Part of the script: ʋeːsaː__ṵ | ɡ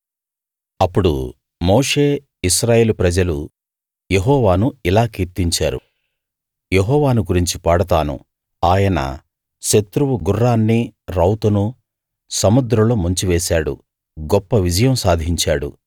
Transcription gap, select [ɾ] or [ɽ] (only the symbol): ɽ